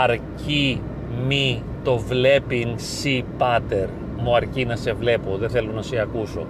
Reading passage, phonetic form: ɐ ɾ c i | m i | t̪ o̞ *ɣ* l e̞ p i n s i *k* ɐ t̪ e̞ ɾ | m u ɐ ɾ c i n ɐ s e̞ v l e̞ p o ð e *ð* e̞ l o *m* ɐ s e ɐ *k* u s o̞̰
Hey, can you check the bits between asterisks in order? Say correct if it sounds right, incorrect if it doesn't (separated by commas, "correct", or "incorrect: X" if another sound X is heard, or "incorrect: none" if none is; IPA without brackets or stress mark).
incorrect: v, incorrect: p, incorrect: θ, incorrect: n, correct